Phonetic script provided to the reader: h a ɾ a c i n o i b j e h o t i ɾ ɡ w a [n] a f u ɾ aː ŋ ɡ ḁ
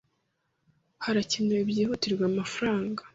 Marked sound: incorrect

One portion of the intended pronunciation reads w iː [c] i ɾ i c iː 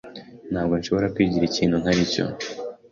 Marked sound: incorrect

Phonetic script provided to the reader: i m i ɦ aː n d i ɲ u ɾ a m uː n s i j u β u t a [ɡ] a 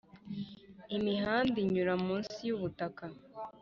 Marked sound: incorrect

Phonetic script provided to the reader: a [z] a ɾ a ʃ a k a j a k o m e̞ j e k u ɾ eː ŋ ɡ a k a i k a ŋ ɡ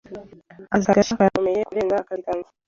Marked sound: correct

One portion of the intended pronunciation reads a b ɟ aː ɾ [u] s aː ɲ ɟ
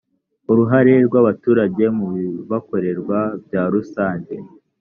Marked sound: correct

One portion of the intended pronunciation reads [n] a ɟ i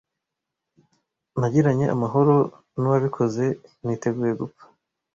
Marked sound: correct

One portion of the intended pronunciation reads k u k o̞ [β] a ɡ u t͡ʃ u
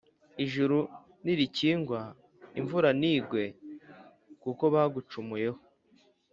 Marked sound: correct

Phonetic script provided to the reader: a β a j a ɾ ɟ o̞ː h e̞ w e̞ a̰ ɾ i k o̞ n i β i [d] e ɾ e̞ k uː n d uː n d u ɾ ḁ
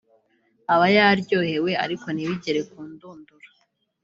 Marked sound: incorrect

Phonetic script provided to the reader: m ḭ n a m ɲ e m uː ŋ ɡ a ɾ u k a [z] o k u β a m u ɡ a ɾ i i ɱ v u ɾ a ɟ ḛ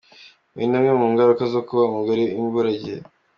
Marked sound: correct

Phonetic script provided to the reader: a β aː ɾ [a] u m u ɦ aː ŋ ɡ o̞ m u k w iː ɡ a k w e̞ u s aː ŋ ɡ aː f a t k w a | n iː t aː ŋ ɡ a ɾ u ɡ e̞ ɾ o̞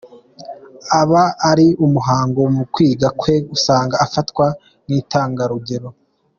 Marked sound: incorrect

